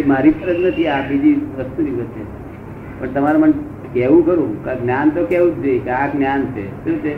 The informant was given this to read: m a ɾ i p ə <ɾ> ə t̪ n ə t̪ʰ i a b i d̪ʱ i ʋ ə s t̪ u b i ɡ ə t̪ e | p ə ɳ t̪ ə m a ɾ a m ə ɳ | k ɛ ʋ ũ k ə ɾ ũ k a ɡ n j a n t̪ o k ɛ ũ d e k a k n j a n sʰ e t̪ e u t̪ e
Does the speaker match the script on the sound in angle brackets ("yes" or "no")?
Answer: yes